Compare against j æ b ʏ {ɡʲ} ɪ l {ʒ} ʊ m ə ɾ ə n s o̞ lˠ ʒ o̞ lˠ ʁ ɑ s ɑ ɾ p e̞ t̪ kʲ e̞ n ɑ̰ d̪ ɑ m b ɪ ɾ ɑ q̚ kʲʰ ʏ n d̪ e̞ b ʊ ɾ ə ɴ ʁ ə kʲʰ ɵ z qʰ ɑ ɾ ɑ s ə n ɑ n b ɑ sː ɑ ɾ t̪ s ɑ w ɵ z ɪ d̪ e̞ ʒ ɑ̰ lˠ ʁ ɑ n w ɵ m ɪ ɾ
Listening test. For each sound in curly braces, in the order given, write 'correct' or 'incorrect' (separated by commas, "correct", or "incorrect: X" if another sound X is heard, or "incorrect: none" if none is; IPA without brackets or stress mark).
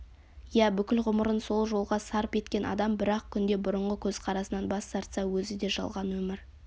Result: incorrect: kʲ, incorrect: ʁ